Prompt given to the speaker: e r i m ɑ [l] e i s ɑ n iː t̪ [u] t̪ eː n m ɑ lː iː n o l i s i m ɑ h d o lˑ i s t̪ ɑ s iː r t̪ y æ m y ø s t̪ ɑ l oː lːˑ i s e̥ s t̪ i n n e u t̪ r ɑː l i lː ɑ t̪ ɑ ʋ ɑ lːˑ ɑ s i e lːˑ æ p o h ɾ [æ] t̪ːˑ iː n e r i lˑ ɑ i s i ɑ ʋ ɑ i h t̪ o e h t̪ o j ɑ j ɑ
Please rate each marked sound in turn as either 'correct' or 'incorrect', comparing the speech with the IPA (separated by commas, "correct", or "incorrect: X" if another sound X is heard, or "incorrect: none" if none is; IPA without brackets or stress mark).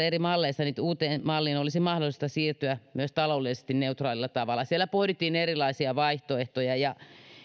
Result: incorrect: lː, incorrect: uː, incorrect: i